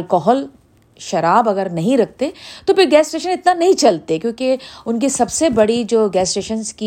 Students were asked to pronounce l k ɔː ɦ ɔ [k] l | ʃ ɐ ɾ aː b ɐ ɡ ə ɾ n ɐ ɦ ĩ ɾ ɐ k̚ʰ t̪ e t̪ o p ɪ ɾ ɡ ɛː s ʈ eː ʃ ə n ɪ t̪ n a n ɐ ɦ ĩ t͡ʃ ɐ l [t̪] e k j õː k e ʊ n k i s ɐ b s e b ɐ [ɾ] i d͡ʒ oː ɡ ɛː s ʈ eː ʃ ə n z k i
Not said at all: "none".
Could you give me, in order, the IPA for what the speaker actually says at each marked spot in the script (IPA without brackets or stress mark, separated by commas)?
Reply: none, t̪, ɽ